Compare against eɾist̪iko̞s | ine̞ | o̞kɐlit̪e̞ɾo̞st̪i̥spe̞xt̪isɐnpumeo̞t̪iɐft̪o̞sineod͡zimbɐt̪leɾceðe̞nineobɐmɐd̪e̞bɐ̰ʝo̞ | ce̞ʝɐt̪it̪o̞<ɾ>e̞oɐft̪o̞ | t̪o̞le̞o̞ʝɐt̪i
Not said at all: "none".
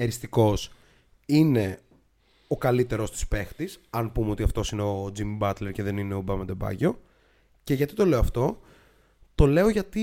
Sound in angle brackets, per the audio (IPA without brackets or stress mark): l